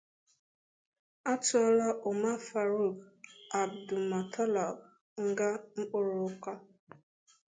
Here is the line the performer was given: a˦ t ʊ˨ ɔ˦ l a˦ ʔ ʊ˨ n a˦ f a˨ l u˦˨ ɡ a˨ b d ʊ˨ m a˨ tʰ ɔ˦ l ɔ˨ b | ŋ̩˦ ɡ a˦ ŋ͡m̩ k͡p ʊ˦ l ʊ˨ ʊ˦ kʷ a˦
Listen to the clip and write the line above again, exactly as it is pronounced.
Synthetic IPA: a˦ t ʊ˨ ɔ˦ l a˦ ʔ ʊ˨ m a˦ f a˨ ɾ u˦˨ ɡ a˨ b d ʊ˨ m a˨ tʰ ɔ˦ l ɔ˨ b | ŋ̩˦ ɡ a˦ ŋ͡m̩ k͡p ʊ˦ ɾ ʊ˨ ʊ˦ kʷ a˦